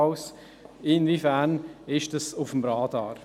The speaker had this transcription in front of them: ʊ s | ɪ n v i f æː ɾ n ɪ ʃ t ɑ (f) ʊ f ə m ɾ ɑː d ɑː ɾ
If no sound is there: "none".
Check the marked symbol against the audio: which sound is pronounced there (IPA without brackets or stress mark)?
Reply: s